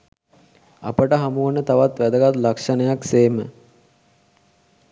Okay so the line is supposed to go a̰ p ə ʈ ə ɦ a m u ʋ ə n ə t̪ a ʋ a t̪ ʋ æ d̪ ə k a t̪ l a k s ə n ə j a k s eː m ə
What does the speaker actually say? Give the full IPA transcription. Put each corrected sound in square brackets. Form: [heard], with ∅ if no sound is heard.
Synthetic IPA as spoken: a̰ p ə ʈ ə ɦ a m u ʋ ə n ə t̪ a ʋ a t̪ ʋ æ d̪ ə [ɡ] a t̪ l a k [ʂ] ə n ə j a k s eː m ə